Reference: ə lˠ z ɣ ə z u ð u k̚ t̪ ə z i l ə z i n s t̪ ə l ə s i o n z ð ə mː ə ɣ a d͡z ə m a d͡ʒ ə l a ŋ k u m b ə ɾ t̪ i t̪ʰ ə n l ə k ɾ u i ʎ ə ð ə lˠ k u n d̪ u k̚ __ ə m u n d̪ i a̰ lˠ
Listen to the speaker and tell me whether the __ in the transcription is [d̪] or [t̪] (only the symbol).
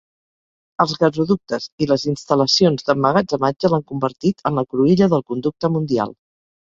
t̪